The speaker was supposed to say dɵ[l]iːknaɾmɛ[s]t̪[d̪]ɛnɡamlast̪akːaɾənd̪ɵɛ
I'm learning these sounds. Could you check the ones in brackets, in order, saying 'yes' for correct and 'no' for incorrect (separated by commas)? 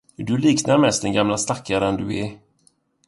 yes, yes, yes